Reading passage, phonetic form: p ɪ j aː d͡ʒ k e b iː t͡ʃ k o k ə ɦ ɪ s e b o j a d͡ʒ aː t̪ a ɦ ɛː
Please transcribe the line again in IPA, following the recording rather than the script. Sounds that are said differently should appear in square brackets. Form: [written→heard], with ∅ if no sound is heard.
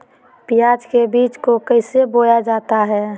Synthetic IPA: p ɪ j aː d͡ʒ k e b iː t͡ʃ k o k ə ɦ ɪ s e b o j a d͡ʒ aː t̪ a ɦ ɛː